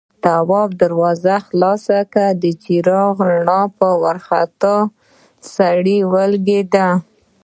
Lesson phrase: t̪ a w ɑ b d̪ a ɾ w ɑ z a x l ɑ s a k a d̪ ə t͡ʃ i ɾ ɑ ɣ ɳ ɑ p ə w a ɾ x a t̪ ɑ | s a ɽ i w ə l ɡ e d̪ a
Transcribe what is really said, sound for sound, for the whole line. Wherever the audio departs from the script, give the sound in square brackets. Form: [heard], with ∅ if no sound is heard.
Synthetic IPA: t̪ a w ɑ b d̪ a ɾ w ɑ z a x l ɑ s a k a d̪ ə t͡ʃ i ɾ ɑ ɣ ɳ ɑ p ə w a ɾ x a t̪ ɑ | s a ɽ i w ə l ɡ e d̪ a